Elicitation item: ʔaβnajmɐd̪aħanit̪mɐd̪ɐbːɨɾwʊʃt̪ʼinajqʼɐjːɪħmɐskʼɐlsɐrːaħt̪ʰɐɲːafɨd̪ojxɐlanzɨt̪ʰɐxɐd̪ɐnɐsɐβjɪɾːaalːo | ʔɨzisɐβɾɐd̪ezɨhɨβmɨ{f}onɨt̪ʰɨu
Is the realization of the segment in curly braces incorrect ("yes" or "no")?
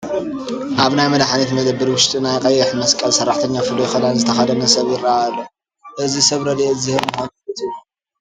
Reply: yes